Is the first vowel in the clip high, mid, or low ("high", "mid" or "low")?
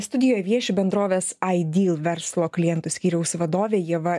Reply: high